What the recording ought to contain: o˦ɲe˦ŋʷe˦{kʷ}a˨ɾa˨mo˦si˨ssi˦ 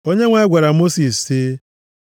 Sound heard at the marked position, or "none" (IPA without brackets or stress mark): ɡʷ